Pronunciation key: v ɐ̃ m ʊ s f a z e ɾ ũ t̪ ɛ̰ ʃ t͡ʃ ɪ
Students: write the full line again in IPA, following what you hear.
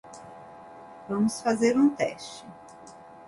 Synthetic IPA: v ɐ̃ m ʊ s f a z e ɾ ũ t̪ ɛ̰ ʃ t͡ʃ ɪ